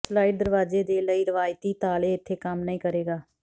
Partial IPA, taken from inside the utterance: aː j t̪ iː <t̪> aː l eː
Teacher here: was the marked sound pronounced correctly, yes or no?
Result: yes